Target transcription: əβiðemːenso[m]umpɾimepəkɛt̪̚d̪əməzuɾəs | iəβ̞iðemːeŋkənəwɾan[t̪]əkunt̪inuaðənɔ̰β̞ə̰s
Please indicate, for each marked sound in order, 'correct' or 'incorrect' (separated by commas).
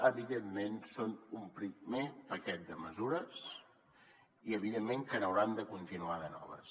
incorrect, incorrect